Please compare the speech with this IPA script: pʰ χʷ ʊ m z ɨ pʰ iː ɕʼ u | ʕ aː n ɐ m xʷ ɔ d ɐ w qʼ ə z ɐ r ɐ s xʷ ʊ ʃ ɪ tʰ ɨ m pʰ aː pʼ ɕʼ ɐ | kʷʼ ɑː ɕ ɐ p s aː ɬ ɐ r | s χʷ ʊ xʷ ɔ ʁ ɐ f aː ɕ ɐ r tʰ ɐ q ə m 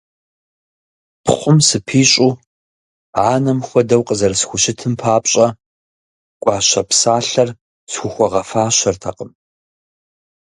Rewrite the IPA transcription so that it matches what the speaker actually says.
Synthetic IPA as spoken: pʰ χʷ ʊ m s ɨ pʰ iː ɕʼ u | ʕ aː n ɐ m xʷ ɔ d ɐ w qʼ ə z ɐ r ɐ s xʷ ʊ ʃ ɪ tʰ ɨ m pʰ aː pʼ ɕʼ ɐ | kʷʼ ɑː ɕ ɐ p s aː ɬ ɐ r | s xʷ ʊ xʷ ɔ ʁ ɐ f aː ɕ ɐ r tʰ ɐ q ə m

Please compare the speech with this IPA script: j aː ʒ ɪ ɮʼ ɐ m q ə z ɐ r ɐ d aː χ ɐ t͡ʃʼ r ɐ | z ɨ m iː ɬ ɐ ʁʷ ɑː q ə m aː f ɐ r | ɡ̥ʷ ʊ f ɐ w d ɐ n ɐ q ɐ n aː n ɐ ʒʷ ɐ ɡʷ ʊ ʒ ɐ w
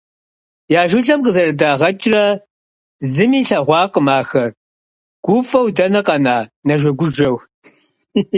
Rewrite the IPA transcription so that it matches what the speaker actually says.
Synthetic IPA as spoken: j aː ʒ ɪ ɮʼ ɐ m q ə z ɐ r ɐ d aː ʁ ɐ t͡ʃʼ r ɐ | z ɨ m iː ɬ ɐ ʁʷ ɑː q ə m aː x ɐ r | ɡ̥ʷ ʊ f ɐ w d ɐ n ɐ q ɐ n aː n ɐ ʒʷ ɐ ɡʷ ʊ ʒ ɐ w

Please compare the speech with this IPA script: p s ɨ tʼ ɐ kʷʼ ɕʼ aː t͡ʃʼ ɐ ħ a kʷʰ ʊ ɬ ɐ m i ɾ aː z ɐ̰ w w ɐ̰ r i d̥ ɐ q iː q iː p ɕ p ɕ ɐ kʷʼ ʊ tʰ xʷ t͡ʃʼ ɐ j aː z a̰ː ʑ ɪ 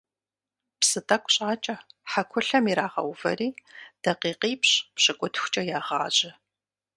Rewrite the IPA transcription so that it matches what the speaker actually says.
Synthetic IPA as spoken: p s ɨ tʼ ɐ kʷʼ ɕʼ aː t͡ʃʼ ɐ ħ a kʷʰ ʊ ɬ ɐ m i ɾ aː ʁ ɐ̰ w v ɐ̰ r iː d̥ ɐ q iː q iː p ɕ p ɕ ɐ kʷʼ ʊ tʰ xʷ t͡ʃʼ ɐ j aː ʁ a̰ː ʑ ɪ

